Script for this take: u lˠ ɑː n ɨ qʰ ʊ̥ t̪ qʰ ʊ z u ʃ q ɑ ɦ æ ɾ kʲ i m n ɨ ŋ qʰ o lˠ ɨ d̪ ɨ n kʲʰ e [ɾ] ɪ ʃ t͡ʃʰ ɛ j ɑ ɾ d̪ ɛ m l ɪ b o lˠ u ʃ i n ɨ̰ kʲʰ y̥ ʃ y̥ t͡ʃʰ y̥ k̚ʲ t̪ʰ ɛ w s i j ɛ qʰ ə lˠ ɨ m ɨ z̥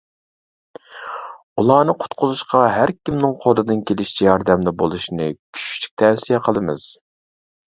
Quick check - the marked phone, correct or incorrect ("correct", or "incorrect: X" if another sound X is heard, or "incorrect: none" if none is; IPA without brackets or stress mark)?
incorrect: l